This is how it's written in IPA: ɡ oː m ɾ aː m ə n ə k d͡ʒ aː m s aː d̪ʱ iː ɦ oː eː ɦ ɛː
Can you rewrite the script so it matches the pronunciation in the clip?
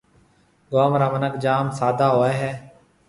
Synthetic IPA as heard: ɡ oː m ɾ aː m ə n ə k d͡ʒ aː m s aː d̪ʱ aː ɦ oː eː ɦ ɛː